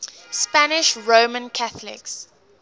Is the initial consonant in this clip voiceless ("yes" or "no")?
yes